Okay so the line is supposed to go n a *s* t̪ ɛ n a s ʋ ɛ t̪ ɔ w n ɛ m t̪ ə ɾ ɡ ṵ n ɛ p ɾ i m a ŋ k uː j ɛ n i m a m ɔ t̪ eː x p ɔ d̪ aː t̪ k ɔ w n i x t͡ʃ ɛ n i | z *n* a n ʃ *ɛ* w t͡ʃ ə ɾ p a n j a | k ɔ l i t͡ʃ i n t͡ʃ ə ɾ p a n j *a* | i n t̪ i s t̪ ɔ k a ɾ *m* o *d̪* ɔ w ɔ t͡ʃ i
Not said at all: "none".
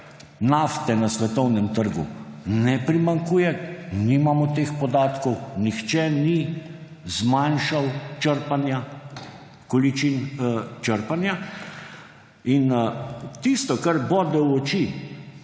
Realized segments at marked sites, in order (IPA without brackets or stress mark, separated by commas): f, m, a, a, b, d̪